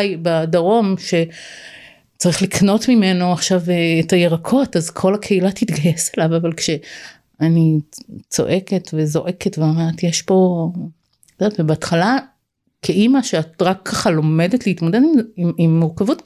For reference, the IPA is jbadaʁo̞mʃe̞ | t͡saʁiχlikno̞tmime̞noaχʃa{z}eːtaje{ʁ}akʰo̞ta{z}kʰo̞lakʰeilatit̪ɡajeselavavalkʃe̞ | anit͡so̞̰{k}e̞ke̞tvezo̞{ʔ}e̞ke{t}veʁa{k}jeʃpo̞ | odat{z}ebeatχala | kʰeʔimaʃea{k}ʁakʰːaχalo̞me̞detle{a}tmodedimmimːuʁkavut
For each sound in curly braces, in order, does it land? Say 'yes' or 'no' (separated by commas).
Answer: no, yes, yes, no, yes, yes, no, no, no, no